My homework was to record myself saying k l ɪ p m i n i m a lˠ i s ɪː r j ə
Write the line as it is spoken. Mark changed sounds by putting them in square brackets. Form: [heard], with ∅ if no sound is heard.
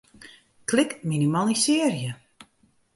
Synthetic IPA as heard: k l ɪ [k] m i n i m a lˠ i s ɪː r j ə